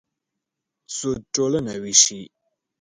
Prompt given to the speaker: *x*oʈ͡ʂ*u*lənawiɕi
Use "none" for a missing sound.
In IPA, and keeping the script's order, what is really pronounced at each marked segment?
s, o

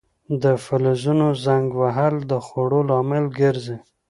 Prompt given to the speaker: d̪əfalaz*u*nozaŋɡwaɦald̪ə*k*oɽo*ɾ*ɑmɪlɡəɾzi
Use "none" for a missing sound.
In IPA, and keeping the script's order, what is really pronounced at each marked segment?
u, x, l

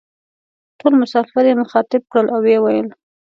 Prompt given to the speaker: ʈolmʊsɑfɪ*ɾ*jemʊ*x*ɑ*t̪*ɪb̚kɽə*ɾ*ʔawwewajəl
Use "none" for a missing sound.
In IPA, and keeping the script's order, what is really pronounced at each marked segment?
ɾ, x, t̪, l

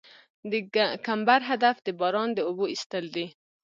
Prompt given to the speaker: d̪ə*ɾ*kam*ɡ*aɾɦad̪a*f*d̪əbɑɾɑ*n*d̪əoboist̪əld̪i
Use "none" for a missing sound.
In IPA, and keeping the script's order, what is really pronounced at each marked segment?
none, b, f, n

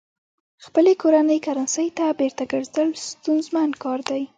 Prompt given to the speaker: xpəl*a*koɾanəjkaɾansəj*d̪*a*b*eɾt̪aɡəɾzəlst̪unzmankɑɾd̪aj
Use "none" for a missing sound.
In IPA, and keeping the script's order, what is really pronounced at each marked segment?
e, t̪, b

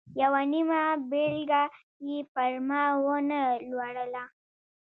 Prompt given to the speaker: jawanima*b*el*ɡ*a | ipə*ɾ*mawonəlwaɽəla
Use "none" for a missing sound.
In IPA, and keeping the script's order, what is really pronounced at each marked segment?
b, ɡ, ɾ

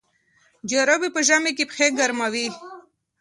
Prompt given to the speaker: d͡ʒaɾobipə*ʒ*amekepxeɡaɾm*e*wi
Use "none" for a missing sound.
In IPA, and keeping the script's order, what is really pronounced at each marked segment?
ʒ, a

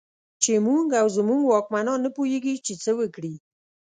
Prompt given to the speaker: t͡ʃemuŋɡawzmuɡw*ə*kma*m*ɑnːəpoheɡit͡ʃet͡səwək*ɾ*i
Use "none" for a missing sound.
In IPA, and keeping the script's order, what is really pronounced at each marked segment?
ɑ, n, ɽ

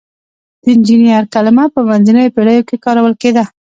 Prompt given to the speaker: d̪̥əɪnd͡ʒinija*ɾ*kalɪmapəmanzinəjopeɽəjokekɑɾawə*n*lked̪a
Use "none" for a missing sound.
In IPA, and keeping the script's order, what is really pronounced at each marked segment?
ɾ, none

